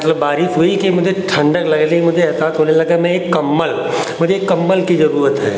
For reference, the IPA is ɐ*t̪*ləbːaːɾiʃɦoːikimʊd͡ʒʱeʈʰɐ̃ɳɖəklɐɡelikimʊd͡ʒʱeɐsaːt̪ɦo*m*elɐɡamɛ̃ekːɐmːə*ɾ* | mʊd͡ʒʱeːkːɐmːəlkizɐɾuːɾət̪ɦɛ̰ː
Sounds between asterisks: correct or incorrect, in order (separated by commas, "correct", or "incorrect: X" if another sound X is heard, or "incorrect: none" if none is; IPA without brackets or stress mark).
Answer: correct, incorrect: n, incorrect: l